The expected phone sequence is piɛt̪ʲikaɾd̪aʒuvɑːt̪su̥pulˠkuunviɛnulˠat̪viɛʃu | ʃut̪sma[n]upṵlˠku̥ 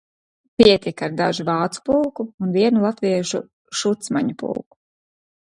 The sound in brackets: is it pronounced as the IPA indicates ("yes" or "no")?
no